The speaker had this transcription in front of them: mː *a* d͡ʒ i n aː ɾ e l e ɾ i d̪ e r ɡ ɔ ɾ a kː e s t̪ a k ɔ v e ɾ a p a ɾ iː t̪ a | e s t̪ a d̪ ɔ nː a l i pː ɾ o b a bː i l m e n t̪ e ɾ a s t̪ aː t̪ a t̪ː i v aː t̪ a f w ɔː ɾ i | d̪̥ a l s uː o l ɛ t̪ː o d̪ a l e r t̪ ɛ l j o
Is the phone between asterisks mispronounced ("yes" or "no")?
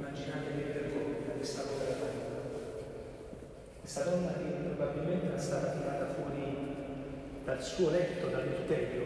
no